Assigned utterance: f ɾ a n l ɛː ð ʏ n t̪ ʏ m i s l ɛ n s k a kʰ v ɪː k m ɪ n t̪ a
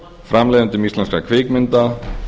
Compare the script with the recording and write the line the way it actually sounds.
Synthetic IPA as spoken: f ɾ a m l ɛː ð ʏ n t̪ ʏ m i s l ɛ n s k a kʰ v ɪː k m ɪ n t̪ a